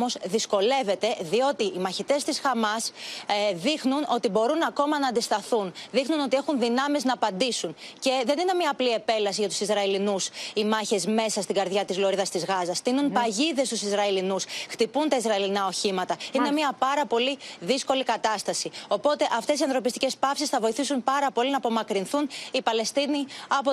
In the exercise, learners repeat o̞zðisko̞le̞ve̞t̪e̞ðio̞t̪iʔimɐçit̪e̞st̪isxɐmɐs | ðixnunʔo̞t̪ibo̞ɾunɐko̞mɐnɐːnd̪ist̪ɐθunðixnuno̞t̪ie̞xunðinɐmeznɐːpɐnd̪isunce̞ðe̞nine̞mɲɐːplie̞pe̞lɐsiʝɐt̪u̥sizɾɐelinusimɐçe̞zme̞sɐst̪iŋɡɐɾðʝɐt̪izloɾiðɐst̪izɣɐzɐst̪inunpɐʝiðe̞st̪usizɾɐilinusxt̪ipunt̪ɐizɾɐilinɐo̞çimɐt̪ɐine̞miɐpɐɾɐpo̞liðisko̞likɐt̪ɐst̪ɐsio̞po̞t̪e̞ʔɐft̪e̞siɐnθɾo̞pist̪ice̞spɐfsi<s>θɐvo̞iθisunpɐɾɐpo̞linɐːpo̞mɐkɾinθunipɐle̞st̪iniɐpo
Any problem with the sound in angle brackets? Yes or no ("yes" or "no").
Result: no